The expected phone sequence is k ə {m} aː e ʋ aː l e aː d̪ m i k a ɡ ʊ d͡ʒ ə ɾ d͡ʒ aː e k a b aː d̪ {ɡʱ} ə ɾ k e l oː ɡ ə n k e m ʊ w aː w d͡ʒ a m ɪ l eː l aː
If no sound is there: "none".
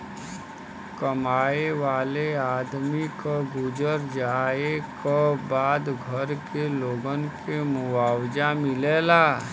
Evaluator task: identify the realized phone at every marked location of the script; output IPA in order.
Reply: m, ɡʱ

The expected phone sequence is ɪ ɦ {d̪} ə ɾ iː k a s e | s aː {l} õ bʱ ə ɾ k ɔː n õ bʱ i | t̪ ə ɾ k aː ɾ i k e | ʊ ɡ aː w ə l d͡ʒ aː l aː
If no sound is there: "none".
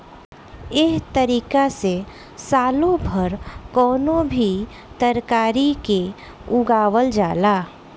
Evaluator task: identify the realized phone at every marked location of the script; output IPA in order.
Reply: t̪, l

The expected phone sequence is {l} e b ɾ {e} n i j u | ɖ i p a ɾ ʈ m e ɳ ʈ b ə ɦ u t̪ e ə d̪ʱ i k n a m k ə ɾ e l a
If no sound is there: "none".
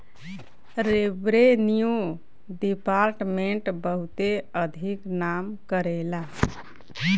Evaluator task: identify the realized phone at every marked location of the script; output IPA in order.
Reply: ɾ, e

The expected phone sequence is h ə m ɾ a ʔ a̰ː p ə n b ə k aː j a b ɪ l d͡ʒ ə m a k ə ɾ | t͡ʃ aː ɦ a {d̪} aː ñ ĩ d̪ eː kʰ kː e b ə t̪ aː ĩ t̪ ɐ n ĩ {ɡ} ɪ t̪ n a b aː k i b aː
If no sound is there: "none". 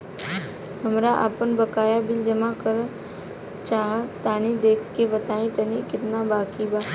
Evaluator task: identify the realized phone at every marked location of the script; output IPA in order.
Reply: t̪, k

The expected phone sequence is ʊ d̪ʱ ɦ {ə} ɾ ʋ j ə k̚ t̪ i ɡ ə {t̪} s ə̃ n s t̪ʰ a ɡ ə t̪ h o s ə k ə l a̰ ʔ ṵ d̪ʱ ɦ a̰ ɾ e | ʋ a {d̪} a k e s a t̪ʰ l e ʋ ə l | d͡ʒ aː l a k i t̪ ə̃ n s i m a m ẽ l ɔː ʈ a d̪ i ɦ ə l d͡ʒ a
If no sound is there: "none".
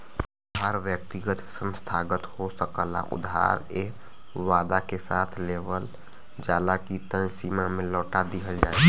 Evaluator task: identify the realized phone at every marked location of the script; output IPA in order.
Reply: a, t̪, d̪

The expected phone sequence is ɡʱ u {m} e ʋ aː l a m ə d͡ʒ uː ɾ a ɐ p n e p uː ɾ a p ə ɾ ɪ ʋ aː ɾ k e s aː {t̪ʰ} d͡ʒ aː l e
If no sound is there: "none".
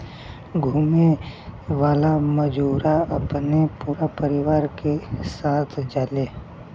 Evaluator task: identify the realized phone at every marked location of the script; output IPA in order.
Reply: m, t̪ʰ

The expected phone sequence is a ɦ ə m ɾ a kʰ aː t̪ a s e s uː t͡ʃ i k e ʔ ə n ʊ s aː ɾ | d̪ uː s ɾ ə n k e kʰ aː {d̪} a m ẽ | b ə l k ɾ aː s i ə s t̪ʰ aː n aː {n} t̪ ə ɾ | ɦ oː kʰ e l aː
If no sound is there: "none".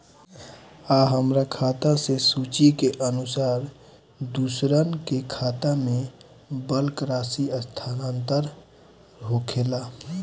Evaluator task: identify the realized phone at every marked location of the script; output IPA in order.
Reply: t̪, n

